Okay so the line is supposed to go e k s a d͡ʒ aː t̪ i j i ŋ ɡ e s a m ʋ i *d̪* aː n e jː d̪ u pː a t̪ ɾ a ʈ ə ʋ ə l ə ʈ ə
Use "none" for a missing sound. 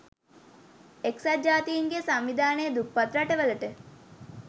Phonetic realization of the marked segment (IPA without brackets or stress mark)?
d̪